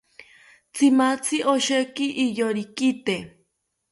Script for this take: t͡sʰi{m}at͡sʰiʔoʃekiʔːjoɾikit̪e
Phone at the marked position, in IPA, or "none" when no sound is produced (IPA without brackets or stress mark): m